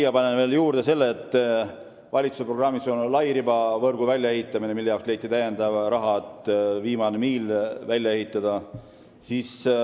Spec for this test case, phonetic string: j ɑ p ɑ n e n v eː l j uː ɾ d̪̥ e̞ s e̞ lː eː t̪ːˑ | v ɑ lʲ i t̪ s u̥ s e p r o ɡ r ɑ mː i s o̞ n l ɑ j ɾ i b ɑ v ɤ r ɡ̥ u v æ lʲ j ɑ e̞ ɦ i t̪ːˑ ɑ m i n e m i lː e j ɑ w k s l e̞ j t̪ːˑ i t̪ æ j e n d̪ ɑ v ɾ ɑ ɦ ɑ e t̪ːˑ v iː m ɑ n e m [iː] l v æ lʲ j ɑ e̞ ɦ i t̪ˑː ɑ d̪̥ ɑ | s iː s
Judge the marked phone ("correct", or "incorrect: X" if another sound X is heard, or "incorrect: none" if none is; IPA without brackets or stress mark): correct